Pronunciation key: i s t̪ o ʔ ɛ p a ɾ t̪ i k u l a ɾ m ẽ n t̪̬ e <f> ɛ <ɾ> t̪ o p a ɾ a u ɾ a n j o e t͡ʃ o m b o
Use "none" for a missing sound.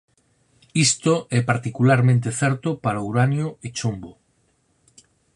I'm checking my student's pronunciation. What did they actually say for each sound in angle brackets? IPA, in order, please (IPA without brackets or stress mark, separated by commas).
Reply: θ, ɾ